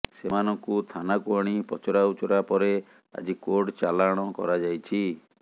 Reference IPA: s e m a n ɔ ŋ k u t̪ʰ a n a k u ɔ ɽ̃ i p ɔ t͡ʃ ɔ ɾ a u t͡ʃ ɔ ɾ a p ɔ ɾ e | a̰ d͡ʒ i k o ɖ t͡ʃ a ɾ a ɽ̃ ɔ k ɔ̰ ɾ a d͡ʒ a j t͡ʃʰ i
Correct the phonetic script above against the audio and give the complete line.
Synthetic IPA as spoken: s e m a n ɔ ŋ k u t̪ʰ a n a k u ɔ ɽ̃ i p ɔ t͡ʃ ɔ ɾ a u t͡ʃ ɔ ɾ a p ɔ ɾ e | a̰ d͡ʒ i k o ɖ t͡ʃ a l a ɽ̃ ɔ k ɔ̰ ɾ a d͡ʒ a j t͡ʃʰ i